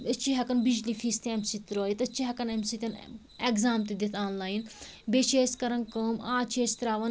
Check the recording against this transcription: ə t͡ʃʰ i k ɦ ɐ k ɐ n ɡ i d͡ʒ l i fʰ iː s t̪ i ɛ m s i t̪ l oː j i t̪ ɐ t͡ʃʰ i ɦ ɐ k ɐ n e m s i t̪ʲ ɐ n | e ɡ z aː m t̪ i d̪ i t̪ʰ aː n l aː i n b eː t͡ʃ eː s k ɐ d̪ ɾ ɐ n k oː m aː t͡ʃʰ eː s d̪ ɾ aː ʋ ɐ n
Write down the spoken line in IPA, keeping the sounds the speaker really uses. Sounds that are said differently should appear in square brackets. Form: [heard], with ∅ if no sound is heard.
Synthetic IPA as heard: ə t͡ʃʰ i [∅] ɦ ɐ k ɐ n [b] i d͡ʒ l i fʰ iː s t̪ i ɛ m s i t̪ [ɾ] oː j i t̪ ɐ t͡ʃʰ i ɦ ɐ k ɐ n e m s i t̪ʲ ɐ n | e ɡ z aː m t̪ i d̪ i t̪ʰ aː n l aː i n b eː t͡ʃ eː s k ɐ [∅] ɾ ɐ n k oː m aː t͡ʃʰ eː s [t̪] ɾ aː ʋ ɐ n